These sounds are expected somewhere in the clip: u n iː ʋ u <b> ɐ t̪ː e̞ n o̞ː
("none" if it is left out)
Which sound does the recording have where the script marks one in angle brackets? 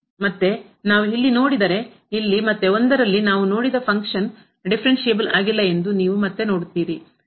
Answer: m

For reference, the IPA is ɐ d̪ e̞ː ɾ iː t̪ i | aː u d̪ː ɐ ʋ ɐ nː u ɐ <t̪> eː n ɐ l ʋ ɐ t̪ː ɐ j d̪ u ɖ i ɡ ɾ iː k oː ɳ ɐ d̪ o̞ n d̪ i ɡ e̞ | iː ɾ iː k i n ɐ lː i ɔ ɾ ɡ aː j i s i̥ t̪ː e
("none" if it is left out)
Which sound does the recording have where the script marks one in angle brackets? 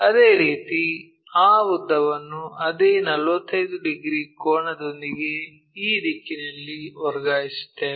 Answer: d̪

